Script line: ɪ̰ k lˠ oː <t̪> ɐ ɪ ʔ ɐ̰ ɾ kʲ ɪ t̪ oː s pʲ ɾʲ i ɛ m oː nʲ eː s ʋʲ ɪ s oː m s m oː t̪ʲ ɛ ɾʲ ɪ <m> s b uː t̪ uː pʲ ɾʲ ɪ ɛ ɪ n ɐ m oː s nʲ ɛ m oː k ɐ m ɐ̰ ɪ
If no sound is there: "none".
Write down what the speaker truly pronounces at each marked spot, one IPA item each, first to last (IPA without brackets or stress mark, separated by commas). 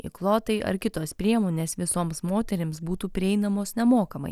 t̪, m